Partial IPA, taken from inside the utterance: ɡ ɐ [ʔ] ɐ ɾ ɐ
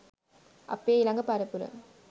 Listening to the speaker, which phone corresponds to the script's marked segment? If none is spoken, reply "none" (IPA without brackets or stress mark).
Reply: p